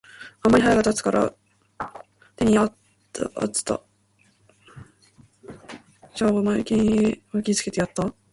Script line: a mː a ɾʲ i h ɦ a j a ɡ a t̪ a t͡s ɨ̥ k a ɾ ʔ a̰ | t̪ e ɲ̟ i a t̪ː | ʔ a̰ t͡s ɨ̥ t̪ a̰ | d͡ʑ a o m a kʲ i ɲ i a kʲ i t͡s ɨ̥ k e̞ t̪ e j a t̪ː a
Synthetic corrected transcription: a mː a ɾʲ i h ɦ a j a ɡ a t̪ a t͡s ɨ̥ k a ɾ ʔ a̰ | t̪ e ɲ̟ i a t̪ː | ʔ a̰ t͡s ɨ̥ t̪ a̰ | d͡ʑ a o m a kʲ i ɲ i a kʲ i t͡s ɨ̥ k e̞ t̪ e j a t̪ː a